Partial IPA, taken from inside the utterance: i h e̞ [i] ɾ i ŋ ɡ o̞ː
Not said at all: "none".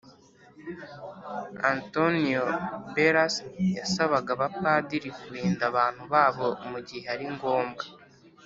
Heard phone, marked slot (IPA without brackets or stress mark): a